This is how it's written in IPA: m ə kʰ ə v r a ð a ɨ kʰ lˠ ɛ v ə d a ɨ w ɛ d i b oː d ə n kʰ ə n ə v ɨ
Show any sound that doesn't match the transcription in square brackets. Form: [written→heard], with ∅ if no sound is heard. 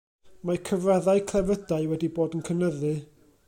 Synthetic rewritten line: m [ə→a] kʰ ə v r a ð a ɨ kʰ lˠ ɛ v ə d a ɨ w ɛ d i b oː d ə n kʰ ə n ə [v→ð] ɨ